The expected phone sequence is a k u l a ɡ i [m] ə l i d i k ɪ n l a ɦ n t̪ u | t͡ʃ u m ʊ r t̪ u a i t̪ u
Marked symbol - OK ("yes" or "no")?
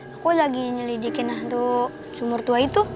no